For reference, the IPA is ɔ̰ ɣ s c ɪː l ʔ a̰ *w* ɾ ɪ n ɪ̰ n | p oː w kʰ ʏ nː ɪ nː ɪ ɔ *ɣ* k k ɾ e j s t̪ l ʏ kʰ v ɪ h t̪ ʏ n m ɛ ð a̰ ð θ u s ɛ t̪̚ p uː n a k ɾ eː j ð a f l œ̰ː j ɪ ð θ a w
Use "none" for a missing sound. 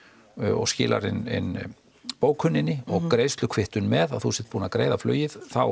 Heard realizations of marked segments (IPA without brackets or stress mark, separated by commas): none, ɣ